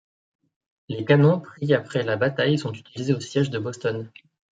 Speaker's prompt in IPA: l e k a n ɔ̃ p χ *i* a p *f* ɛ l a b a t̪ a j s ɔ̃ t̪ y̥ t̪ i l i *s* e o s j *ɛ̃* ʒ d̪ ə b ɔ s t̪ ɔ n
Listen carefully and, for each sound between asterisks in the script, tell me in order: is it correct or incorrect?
correct, incorrect: χ, incorrect: z, incorrect: ɛ

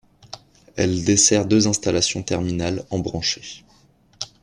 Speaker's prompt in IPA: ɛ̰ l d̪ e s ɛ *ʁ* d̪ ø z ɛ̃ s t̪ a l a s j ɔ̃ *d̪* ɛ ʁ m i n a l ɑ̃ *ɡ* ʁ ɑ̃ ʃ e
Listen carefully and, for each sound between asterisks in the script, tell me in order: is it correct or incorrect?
correct, incorrect: t̪, incorrect: b

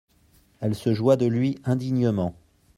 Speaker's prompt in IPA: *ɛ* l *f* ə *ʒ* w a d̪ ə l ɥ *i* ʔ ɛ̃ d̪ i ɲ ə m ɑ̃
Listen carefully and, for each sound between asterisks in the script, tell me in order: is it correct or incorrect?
correct, incorrect: s, correct, correct

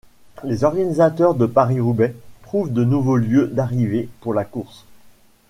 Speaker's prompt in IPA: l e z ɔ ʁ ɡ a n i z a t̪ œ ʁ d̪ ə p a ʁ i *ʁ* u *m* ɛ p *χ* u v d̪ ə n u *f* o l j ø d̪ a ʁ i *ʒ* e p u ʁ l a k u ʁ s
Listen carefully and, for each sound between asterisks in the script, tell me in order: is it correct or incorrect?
correct, incorrect: b, correct, incorrect: v, incorrect: v

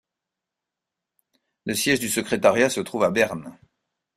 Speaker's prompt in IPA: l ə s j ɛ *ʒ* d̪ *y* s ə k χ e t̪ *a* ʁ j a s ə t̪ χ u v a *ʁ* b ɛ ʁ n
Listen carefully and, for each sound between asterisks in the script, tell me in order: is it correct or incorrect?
correct, correct, correct, incorrect: none

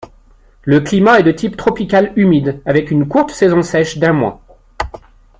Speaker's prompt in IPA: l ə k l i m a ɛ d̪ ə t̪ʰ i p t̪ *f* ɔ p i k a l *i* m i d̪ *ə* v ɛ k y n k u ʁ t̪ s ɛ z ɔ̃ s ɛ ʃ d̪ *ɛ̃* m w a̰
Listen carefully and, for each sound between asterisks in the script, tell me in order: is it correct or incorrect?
incorrect: χ, incorrect: y, incorrect: a, correct

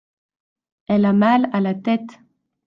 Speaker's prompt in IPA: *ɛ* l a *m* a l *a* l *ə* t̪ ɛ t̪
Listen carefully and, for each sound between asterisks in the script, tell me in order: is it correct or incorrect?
correct, correct, correct, incorrect: a

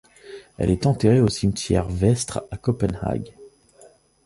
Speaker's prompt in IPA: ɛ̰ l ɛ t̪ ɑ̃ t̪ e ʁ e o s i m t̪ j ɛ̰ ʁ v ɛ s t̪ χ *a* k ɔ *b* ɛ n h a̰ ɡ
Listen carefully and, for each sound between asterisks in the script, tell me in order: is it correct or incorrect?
correct, incorrect: p

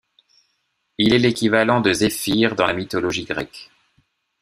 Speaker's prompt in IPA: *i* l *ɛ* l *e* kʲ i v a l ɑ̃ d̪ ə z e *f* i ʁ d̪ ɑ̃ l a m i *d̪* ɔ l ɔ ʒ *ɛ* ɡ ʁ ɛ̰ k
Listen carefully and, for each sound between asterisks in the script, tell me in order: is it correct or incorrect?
correct, correct, correct, correct, incorrect: t̪, incorrect: i

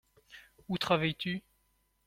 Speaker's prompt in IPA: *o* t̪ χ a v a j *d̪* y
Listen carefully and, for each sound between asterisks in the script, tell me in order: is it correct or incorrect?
incorrect: u, incorrect: t̪

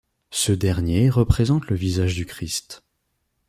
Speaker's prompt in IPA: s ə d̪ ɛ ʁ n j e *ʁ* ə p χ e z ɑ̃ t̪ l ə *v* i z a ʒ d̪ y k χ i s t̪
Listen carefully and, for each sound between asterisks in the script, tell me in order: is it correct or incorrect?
correct, correct

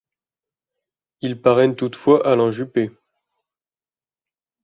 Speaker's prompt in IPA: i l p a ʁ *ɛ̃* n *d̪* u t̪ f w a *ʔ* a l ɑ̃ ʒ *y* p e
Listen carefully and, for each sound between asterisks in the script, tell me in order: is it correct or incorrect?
incorrect: ɛ, incorrect: t̪, correct, correct

